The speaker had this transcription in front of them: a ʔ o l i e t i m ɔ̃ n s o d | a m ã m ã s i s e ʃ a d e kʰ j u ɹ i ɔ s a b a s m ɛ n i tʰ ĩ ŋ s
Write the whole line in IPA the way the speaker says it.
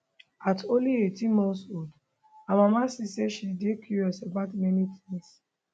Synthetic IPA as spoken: a t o l i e t i m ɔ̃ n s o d | a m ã m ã s i s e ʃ i d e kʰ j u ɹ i ɔ s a b a t m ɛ n i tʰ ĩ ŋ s